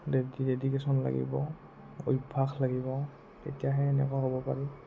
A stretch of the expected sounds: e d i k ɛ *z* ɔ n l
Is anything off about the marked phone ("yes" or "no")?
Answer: yes